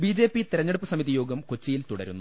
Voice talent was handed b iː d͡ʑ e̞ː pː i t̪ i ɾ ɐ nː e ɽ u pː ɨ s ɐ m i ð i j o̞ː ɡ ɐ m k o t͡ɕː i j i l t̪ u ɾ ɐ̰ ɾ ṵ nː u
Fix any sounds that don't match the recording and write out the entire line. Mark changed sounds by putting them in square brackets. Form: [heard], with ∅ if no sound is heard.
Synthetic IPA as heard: b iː d͡ʑ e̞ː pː i t̪ i ɾ ɐ [ɲː] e ɽ u pː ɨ s ɐ m i ð i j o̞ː ɡ ɐ m k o t͡ɕː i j i l t̪ u [ɽ] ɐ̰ ɾ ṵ nː u